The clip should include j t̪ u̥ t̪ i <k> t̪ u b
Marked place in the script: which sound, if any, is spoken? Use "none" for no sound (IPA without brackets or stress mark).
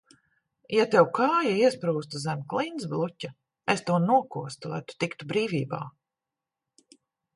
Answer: k